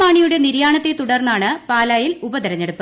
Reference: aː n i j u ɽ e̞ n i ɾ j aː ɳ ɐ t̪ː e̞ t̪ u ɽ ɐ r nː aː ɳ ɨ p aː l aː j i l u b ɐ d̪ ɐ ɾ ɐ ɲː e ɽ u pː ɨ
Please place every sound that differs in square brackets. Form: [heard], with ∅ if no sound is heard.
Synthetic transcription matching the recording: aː [ɳ] i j u ɽ e̞ n i ɾ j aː ɳ ɐ t̪ː e̞ t̪ u ɽ ɐ r nː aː ɳ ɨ p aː l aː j i l u b ɐ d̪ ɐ ɾ ɐ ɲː e ɽ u pː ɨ